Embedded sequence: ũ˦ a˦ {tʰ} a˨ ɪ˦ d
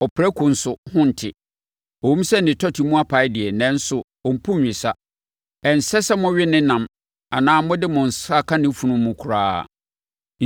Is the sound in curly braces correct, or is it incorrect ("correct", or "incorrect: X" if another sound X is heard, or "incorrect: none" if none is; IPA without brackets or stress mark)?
incorrect: pʰ